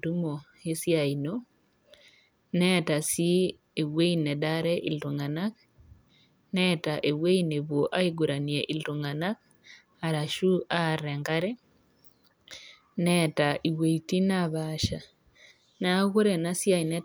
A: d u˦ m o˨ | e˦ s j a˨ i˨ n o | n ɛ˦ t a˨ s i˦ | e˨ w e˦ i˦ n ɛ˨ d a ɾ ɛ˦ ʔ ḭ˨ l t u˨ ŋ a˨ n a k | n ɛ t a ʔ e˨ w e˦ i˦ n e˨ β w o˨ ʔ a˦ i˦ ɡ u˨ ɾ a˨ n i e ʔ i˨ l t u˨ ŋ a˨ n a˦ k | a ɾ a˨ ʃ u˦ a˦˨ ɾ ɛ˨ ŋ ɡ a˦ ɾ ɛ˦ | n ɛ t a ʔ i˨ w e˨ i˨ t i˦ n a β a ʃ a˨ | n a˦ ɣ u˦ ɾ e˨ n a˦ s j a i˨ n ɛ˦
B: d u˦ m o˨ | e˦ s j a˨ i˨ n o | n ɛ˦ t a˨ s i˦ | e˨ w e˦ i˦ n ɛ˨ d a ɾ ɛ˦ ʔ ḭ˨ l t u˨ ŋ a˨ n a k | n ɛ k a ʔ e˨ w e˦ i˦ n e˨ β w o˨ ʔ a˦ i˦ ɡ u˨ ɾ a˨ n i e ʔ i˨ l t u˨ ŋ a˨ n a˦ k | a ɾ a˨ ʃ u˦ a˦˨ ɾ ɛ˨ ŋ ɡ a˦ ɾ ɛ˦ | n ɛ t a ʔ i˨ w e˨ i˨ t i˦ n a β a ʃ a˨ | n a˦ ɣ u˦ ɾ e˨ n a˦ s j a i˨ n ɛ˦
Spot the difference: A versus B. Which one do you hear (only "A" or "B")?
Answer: A